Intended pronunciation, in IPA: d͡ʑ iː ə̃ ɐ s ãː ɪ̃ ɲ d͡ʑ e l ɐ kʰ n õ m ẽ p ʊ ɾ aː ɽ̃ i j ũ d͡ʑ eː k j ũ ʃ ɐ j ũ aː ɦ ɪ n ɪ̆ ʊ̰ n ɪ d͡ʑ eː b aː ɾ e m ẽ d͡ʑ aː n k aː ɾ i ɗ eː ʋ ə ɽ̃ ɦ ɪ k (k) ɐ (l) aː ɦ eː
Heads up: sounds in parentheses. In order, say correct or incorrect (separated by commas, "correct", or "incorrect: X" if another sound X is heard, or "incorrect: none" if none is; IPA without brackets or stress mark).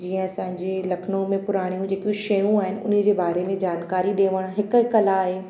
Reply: correct, correct